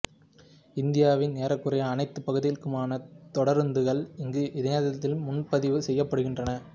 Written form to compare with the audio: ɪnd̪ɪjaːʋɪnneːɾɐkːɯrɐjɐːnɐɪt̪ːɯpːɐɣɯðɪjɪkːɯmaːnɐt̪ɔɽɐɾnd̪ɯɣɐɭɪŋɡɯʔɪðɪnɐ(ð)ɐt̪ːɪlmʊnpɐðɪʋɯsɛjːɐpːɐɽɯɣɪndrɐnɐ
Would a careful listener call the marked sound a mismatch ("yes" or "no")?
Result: no